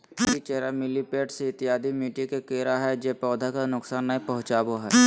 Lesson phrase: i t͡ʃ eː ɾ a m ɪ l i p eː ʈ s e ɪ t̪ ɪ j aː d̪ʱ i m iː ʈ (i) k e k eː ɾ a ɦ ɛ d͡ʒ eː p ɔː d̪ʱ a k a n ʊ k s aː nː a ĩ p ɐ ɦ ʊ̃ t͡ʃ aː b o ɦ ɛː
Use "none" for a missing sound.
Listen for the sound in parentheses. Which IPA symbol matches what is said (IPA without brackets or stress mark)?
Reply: i